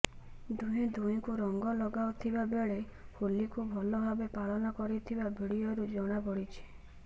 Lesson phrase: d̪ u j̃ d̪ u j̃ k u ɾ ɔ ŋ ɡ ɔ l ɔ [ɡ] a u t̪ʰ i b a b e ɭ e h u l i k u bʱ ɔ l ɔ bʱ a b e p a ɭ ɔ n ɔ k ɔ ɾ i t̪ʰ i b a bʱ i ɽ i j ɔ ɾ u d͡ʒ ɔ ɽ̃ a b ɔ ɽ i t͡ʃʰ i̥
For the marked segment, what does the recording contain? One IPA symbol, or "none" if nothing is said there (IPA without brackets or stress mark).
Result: ɡ